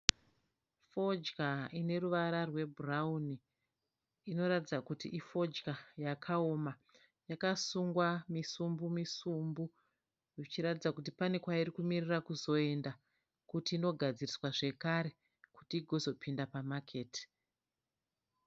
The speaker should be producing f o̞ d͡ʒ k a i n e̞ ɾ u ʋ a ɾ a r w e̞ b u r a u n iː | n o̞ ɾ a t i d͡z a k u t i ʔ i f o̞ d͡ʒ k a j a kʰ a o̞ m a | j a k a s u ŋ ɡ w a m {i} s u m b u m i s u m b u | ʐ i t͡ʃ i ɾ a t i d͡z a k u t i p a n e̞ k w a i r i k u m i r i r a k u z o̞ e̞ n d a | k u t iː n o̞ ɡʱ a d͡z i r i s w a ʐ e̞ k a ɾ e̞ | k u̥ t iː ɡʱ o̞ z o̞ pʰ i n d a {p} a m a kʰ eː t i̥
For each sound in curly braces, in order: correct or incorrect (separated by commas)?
correct, correct